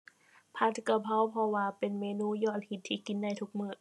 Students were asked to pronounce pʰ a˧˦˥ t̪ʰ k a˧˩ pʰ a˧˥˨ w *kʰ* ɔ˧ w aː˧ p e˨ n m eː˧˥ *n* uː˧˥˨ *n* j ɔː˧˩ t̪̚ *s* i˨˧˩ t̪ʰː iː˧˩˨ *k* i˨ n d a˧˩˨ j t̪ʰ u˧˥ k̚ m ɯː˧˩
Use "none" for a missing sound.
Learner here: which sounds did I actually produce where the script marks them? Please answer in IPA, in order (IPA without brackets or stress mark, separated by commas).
pʰ, n, none, h, k